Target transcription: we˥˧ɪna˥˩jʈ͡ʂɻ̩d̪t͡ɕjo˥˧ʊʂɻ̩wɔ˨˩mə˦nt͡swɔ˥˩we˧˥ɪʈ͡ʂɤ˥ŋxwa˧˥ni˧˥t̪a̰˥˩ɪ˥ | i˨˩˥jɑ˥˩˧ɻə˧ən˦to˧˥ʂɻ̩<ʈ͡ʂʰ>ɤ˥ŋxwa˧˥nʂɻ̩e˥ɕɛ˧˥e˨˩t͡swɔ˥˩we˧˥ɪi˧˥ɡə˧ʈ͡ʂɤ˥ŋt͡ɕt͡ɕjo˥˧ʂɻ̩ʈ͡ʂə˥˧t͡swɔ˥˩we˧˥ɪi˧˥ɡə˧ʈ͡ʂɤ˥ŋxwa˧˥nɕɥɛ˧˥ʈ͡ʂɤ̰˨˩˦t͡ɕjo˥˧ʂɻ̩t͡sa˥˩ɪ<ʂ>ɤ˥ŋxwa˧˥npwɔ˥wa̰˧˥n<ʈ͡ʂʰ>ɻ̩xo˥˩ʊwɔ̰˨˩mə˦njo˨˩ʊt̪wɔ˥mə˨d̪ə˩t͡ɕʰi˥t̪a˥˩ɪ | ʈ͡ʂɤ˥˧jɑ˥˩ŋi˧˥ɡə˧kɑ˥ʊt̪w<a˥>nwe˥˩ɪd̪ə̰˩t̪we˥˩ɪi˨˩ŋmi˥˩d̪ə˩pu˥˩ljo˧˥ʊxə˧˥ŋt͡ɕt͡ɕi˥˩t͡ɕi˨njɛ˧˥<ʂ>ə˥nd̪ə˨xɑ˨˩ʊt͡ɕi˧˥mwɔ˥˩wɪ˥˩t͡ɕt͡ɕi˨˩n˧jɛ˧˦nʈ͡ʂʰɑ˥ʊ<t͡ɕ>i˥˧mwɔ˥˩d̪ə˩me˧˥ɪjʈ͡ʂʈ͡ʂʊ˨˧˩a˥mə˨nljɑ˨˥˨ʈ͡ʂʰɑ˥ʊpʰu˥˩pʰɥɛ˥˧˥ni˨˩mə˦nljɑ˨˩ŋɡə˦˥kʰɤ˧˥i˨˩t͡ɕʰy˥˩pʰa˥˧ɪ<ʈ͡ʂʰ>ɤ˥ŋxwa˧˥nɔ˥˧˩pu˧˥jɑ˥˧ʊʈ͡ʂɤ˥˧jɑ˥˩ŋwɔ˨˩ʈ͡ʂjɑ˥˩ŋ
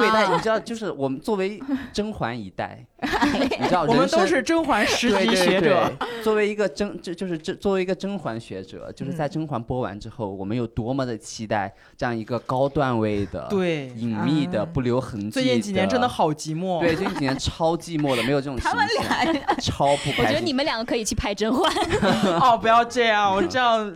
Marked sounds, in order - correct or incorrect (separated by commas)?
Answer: incorrect, incorrect, incorrect, incorrect, incorrect, correct, incorrect